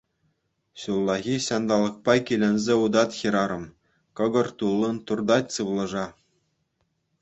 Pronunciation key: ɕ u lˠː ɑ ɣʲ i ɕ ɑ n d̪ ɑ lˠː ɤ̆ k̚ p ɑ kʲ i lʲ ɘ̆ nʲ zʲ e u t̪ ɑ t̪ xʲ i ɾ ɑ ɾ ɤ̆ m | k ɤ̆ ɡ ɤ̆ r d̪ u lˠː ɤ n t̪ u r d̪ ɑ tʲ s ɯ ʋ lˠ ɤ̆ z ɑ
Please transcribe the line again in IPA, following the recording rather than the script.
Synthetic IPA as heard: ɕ u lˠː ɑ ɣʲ i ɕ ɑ n d̪ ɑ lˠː ɤ̆ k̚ p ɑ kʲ i lʲ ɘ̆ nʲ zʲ e u d̪ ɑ t̪ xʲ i ɾ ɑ ɾ ɤ̆ m | k ɤ̆ ɡ ɤ̆ r t̪ u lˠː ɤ n t̪ u r d̪ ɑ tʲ s ɯ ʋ lˠ ɤ̆ ʐ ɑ